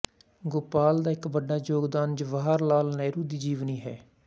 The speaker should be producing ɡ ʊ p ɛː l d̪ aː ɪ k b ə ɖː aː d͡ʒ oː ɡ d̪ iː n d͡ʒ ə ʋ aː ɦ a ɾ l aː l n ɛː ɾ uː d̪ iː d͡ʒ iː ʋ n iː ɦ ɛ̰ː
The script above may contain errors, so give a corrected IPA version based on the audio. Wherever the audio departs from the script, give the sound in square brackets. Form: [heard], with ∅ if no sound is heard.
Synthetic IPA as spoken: ɡ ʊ p [aː] l d̪ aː ɪ k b ə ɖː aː d͡ʒ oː ɡ d̪ [aː] n d͡ʒ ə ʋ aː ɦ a ɾ l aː l n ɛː ɾ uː d̪ iː d͡ʒ iː ʋ n iː ɦ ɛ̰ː